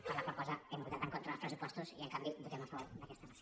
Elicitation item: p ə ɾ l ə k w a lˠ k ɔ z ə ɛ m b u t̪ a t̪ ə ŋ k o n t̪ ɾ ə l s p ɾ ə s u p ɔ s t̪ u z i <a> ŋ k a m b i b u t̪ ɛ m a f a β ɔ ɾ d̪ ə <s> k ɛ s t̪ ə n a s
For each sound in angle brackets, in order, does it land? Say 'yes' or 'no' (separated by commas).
no, no